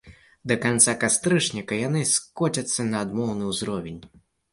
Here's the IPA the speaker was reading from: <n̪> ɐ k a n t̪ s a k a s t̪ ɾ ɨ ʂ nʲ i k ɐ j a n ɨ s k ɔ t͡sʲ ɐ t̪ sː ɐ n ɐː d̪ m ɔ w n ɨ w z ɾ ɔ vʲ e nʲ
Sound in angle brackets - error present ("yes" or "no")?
yes